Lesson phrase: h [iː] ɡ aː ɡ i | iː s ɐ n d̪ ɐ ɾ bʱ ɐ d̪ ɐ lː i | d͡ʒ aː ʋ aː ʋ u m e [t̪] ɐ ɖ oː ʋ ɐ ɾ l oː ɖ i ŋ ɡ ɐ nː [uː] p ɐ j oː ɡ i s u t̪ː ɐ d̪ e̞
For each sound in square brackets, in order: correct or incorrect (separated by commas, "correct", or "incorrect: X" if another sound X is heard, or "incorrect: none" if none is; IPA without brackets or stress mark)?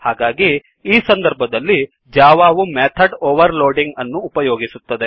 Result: incorrect: aː, incorrect: t̪ʰ, correct